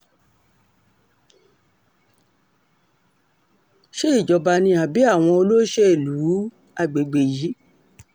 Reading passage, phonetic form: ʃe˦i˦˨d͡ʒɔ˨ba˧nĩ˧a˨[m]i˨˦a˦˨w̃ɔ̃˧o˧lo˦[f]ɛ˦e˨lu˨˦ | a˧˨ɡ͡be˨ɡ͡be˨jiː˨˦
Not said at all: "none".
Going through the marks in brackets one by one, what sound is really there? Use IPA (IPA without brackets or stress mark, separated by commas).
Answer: b, ʃ